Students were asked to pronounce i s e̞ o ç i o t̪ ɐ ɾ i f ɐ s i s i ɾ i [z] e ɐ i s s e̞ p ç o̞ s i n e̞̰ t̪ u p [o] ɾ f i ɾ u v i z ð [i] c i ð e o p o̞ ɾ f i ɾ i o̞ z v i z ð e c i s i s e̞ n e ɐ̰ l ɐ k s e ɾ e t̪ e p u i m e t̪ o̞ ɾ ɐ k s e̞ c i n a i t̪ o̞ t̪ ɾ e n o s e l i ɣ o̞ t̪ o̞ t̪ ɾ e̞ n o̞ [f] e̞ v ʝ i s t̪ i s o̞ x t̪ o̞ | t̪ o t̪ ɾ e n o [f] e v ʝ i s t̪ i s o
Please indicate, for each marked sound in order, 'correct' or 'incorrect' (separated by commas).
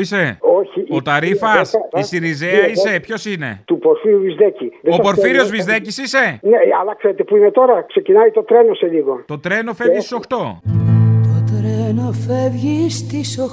correct, correct, incorrect, correct, correct